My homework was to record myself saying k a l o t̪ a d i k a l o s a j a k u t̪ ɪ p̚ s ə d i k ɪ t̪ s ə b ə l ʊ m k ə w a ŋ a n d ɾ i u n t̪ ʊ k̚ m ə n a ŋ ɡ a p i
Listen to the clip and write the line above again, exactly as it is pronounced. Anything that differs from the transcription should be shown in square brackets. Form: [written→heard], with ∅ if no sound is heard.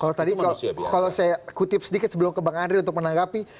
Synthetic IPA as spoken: k a l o t̪ a d i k a l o s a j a k u t̪ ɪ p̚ s ə d i k ɪ t̪ s ə b ə l ʊ m k ə [w→b] a ŋ a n d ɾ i u n t̪ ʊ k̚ m ə n a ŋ ɡ a p i

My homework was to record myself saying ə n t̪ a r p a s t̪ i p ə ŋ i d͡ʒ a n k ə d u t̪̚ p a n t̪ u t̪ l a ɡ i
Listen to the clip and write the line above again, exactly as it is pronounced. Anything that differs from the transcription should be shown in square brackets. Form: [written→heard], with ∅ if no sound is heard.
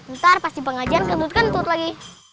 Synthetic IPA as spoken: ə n t̪ a r p a s t̪ i p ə ŋ [i→a] d͡ʒ a n k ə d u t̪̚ [p→k] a n t̪ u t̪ l a ɡ i

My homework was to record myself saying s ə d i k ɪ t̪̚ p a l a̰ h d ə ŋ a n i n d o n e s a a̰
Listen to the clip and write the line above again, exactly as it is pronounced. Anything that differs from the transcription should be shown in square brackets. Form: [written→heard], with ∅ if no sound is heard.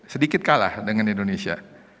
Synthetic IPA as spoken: s ə d i k ɪ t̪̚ [p→k] a l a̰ h d ə ŋ a n i n d o n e s [a→i] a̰

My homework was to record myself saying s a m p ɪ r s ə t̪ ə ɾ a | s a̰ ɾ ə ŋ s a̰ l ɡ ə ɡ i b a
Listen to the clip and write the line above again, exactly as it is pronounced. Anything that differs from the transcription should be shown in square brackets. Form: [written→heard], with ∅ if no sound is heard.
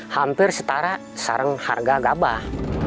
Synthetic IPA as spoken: [s→h] a m p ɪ r s ə t̪ [ə→a] ɾ a | s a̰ ɾ ə ŋ [s→h] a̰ [l→r] ɡ [ə→a] ɡ [i→a] b a

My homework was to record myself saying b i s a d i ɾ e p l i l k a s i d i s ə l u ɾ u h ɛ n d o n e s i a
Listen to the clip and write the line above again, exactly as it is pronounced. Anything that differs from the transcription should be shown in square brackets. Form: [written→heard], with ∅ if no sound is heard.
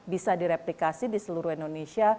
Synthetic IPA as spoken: b i s a d i ɾ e p l i [l→∅] k a s i d i s ə l u ɾ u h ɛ n d o n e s i a

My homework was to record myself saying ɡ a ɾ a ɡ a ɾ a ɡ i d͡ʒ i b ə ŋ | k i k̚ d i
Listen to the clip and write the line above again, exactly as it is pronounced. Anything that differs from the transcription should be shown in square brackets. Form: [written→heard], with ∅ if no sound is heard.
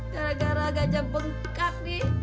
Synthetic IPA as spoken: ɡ a ɾ a ɡ a ɾ a ɡ [i→a] d͡ʒ [i→a] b ə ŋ | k [i→a] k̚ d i

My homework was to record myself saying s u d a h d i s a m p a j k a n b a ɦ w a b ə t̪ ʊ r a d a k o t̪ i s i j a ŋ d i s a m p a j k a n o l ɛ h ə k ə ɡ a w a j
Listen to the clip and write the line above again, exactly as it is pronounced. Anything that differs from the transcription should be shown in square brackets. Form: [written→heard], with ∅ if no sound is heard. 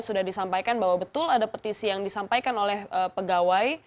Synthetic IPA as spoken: s u d a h d i s a m p a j k a n b a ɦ w a b ə t̪ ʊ [r→l] a d a [k→p] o t̪ i s i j a ŋ d i s a m p a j k a n o l ɛ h ə [k→p] ə ɡ a w a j

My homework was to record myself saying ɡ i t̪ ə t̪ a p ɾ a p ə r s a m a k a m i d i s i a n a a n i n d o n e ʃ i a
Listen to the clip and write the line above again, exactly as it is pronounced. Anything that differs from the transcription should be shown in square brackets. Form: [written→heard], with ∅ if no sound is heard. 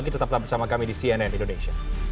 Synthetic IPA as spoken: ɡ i t̪ ə t̪ a p [ɾ→l] a [p→b] ə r s a m a k a m i d i s i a n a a n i n d o n e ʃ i a

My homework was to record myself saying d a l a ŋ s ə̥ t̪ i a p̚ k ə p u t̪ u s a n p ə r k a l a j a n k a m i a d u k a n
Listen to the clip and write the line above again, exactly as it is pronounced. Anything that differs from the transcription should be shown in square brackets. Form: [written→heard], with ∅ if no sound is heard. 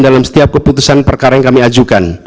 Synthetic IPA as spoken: d a l a [ŋ→m] s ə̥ t̪ i a p̚ k ə p u t̪ u s a n p ə r k a [l→ɾ] a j a [n→ŋ] k a m i a [d→d͡ʒ] u k a n

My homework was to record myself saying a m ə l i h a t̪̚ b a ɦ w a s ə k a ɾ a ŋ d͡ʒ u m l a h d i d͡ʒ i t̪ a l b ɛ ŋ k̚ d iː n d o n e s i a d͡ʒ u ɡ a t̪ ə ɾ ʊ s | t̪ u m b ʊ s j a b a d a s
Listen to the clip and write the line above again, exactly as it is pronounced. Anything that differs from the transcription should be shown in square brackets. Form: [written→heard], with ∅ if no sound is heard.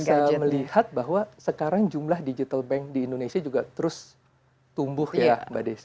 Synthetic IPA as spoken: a m ə l i h a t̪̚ b a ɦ w a s ə k a ɾ a ŋ d͡ʒ u m l a h d i d͡ʒ i t̪ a l b ɛ ŋ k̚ d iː n d o n e s i a d͡ʒ u ɡ a t̪ ə ɾ ʊ s | t̪ u m b ʊ [s→h] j a b a d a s

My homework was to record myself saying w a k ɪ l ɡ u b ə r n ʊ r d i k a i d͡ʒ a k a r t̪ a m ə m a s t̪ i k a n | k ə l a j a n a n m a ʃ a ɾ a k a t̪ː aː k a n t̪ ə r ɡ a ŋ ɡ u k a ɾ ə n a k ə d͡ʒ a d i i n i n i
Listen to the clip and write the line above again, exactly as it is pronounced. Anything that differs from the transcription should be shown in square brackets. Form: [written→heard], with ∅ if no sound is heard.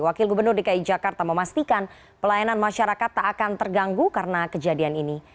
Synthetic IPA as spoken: w a k ɪ l ɡ u b ə r n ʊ r d i k a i d͡ʒ a k a r t̪ a m ə m a s t̪ i k a n | [k→p] ə l a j a n a n m a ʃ a ɾ a k a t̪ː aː k a n t̪ ə r ɡ a ŋ ɡ u k a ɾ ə n a k ə d͡ʒ a d i [i→a] n i n i

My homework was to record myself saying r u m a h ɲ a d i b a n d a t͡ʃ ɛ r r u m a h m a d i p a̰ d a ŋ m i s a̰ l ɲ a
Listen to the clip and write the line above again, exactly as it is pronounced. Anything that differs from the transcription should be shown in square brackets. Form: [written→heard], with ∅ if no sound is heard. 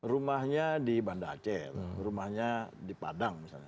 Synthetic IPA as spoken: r u m a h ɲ a d i b a n d a t͡ʃ ɛ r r u m a h [m→ɲ] a d i p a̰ d a ŋ m i s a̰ l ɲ a

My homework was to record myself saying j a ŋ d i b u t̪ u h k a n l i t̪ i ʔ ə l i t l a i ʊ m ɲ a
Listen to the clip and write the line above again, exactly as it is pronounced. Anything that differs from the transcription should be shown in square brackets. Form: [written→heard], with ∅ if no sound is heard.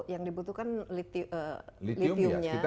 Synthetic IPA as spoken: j a ŋ d i b u t̪ u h k a n l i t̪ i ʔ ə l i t l [a→i] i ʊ m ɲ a

